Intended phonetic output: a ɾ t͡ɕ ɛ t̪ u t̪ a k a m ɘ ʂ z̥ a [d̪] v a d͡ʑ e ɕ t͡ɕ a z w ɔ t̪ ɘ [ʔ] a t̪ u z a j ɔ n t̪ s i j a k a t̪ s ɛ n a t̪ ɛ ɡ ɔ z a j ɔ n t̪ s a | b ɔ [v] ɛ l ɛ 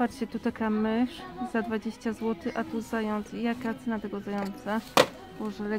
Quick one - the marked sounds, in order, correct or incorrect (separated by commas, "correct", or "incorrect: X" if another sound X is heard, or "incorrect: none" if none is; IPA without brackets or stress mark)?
correct, correct, incorrect: ʐ